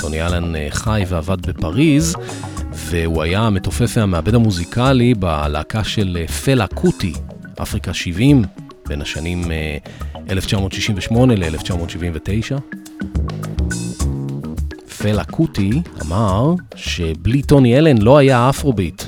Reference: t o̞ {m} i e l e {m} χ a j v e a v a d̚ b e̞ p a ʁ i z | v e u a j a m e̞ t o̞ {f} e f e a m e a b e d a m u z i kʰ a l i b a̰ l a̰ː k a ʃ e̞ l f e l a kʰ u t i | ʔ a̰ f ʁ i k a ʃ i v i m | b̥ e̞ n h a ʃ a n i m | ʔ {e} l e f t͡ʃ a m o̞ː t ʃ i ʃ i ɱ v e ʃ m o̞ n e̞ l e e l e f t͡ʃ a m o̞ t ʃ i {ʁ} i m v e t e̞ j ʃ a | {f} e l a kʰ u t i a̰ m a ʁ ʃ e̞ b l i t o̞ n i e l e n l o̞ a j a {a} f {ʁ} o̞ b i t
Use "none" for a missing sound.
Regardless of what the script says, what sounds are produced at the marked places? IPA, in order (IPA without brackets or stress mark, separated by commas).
n, n, f, e, v, f, a, ʁ